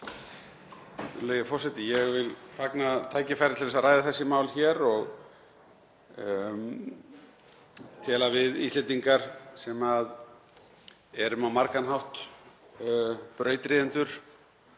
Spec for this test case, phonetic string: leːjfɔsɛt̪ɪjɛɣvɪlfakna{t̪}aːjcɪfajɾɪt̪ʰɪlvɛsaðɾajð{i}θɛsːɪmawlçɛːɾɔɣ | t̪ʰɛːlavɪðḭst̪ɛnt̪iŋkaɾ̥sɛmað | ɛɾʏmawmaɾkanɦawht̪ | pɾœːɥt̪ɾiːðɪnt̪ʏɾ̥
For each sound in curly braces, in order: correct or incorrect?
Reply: incorrect: t̪ʰ, incorrect: a

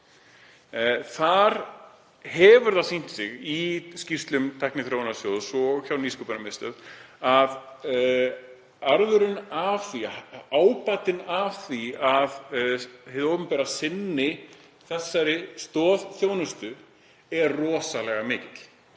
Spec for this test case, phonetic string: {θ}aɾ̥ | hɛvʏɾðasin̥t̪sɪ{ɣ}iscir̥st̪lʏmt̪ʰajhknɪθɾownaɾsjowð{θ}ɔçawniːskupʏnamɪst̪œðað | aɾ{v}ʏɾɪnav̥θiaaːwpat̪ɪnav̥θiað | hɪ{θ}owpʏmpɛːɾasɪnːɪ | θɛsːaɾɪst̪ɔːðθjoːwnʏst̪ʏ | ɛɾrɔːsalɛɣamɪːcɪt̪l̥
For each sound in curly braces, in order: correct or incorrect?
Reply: correct, correct, incorrect: s, incorrect: ð, incorrect: ð

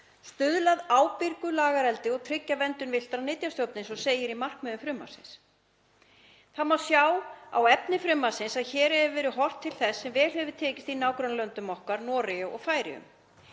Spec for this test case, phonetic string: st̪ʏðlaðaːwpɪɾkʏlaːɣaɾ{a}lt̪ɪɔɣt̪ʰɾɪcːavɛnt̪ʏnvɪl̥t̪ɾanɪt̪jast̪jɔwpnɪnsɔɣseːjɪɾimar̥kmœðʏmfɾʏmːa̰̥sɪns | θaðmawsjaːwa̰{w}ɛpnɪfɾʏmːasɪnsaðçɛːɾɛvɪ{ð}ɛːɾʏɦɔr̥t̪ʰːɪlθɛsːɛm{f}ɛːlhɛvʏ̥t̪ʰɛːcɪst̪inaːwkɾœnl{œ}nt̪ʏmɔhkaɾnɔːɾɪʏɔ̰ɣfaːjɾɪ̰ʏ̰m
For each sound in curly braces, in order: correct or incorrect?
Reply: incorrect: ɛ, correct, incorrect: v, incorrect: v, correct

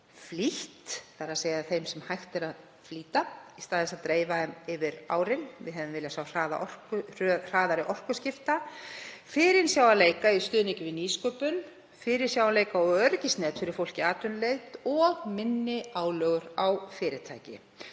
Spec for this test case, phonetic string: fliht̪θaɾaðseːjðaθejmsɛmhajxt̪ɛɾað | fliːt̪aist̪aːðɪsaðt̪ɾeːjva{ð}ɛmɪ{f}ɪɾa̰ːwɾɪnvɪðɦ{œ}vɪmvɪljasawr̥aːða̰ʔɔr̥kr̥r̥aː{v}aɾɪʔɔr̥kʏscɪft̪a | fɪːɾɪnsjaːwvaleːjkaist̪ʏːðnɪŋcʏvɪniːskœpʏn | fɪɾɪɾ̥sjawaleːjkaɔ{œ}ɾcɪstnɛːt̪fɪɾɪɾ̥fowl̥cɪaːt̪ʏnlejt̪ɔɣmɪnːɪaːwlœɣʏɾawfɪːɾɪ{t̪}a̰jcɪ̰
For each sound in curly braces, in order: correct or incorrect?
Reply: correct, incorrect: v, incorrect: ɛ, incorrect: ð, correct, incorrect: t̪ʰ

